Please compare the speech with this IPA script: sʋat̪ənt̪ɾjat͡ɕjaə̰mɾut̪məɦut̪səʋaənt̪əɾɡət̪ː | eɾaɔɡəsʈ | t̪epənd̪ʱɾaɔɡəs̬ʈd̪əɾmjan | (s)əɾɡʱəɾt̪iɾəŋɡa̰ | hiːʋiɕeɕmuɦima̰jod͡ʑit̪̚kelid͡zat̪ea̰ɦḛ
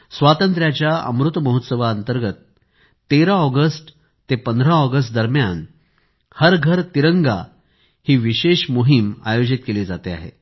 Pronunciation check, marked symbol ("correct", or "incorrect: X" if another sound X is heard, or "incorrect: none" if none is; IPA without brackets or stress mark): incorrect: h